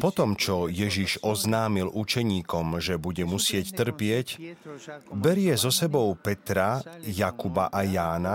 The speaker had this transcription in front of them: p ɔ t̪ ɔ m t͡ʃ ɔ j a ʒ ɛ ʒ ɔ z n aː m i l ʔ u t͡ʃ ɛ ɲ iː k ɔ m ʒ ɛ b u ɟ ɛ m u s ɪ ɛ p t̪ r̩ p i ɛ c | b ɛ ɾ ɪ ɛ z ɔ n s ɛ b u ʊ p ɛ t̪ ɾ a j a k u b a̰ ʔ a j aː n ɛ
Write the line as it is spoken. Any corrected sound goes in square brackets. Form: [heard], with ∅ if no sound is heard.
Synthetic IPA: p ɔ t̪ ɔ m t͡ʃ ɔ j [ɛ] ʒ [i] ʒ ɔ z n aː m i l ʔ u t͡ʃ ɛ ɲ iː k ɔ m ʒ ɛ b u ɟ ɛ m u s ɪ ɛ [c] t̪ r̩ p [ɪ] ɛ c | b ɛ ɾ ɪ ɛ z ɔ [∅] s ɛ b [ɔ] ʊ p ɛ t̪ ɾ a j a k u b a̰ ʔ a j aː n [a]